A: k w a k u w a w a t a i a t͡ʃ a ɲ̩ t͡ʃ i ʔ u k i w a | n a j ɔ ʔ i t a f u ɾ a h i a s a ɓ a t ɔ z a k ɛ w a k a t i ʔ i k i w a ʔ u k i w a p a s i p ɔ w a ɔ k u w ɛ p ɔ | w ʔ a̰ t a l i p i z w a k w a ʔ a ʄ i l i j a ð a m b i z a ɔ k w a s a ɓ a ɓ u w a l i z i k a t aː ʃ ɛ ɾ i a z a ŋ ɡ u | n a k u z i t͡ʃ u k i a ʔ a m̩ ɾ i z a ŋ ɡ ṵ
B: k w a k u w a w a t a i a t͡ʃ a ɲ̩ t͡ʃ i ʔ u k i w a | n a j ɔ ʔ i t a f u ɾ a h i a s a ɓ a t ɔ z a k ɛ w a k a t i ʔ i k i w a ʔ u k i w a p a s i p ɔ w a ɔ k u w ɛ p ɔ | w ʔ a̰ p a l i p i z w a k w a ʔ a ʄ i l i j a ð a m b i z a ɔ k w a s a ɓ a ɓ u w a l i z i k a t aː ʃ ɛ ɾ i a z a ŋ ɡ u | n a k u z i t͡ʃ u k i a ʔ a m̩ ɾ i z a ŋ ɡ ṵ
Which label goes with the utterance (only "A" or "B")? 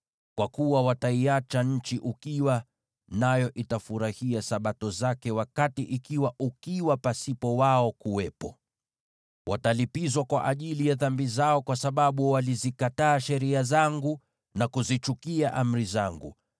A